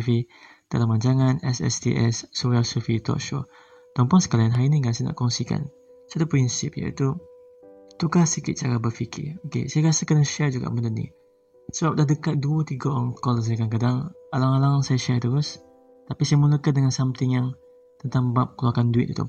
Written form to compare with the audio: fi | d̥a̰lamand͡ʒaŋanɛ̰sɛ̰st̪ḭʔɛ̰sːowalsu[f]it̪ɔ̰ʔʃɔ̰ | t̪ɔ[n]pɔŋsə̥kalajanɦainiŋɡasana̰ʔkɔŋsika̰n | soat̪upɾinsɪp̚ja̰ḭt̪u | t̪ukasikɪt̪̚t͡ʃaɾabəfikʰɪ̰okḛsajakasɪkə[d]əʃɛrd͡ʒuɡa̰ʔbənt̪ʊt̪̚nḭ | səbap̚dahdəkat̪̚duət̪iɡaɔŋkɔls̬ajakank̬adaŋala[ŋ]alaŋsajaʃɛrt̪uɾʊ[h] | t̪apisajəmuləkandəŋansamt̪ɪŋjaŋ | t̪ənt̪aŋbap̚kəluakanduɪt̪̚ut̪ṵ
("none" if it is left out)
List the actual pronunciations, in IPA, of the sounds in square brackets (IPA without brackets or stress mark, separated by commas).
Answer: f, m, n, ŋ, s